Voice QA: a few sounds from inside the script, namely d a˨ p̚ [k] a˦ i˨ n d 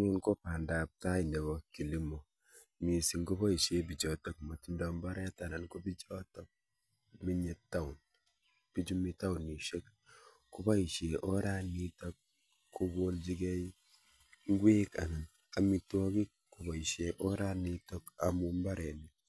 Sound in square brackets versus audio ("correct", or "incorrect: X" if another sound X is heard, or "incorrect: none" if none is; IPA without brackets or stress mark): incorrect: t